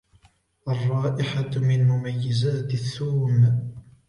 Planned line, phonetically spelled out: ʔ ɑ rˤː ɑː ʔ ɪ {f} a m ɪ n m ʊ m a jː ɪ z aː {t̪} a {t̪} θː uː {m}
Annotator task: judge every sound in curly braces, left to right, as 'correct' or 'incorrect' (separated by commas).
incorrect, correct, incorrect, correct